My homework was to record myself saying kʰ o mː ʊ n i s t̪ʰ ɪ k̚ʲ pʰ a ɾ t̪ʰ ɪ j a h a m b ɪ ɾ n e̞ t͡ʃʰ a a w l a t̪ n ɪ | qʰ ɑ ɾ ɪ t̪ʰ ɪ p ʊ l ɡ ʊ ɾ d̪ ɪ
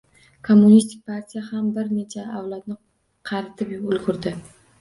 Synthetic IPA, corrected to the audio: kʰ o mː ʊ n i s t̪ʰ ɪ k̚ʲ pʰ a ɾ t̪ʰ i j a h a m b ɪ ɾ n e̞ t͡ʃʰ a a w l a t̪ n ɪ | qʰ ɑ ɾ ɪ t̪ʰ ɪ p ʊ l ɡ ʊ ɾ d̪ ɪ